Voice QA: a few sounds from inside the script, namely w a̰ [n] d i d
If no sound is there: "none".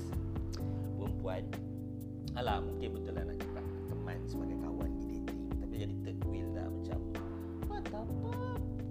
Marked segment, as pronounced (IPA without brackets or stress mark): n